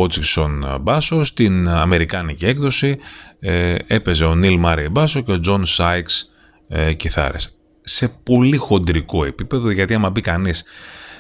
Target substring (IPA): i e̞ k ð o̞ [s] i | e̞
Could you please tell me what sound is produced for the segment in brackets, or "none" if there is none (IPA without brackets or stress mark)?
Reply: s